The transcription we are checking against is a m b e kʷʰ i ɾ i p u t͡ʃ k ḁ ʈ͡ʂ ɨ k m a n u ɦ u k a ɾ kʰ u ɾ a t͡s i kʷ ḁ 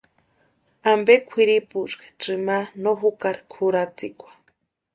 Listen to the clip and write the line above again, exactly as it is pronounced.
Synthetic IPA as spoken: a m b e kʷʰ i ɾ i p u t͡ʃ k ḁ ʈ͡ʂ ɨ m a n o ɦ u k a ɾ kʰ u ɾ a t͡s i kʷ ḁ